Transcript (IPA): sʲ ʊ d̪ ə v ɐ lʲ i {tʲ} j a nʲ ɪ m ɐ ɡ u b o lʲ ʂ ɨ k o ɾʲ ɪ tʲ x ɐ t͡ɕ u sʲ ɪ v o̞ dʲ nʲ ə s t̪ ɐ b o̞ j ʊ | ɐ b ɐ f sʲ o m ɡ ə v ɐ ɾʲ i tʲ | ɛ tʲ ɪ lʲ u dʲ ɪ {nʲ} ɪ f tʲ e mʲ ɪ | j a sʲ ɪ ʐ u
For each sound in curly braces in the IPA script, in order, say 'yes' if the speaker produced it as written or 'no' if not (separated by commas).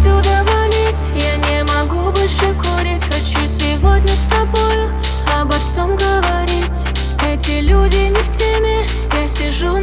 yes, yes